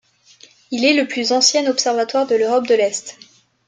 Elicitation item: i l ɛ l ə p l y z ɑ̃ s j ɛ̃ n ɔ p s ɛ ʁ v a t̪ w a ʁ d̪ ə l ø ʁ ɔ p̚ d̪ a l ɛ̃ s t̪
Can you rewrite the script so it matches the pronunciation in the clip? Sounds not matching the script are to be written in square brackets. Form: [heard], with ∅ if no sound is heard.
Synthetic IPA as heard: i l ɛ l ə p l y z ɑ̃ s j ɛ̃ n ɔ p s ɛ ʁ v a t̪ w a ʁ d̪ ə l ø ʁ ɔ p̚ d̪ [ə] l [ɛ] s t̪